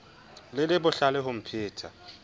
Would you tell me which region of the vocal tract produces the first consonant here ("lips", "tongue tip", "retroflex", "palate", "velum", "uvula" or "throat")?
tongue tip